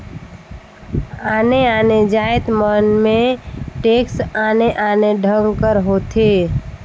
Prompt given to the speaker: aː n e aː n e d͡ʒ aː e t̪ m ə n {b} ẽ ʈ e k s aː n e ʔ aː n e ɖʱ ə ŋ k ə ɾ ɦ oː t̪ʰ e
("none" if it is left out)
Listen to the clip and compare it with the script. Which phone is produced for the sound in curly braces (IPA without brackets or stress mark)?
m